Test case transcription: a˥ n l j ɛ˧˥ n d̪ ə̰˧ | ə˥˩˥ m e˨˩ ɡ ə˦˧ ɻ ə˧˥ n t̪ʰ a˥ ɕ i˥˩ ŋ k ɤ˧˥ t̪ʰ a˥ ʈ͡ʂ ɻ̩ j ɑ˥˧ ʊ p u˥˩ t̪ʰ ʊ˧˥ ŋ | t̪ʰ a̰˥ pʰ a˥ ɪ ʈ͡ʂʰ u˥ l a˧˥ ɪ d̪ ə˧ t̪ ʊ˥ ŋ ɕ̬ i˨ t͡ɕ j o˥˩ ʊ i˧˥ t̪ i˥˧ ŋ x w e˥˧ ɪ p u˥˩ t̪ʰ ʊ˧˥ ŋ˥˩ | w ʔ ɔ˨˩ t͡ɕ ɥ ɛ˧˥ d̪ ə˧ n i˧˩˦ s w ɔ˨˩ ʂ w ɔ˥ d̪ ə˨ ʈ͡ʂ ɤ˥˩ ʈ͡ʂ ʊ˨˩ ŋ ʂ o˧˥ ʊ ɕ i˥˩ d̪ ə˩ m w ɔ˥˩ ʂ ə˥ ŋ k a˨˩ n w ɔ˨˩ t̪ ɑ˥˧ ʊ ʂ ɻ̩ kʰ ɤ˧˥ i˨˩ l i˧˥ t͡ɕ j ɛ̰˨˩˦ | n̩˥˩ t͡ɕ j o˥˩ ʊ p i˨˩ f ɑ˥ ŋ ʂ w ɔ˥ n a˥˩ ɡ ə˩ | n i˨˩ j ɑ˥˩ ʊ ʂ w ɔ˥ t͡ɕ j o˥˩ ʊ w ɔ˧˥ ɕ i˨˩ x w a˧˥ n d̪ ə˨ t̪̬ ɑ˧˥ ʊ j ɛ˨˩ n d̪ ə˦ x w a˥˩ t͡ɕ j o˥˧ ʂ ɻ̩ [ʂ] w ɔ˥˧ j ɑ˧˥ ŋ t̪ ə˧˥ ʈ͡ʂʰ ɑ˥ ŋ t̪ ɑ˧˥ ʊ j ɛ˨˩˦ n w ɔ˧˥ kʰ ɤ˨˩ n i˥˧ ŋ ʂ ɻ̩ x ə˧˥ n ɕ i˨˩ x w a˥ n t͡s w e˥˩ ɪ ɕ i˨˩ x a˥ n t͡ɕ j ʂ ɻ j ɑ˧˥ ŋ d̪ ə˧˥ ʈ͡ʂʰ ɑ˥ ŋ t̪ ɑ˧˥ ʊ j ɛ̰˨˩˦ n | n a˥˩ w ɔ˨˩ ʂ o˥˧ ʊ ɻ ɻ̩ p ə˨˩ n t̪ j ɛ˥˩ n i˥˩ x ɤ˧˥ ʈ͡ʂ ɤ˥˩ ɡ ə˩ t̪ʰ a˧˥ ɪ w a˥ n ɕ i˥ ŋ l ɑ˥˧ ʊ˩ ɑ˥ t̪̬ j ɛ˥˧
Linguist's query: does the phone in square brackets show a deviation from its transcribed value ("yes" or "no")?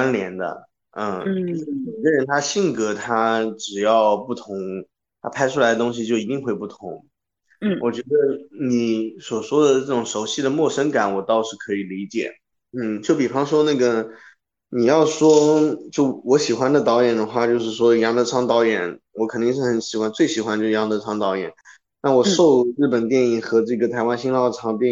no